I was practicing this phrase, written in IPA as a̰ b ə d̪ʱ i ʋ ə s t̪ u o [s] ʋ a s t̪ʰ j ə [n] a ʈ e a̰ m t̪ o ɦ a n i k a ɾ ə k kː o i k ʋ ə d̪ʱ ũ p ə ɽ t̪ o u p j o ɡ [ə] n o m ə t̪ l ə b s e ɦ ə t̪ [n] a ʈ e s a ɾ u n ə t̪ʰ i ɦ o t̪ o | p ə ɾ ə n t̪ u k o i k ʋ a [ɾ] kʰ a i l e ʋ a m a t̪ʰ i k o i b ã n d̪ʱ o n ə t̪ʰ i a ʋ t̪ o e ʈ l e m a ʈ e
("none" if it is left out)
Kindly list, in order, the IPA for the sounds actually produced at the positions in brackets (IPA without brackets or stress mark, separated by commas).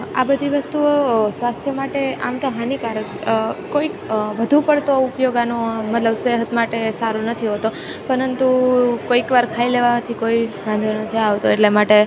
s, m, a, m, ɾ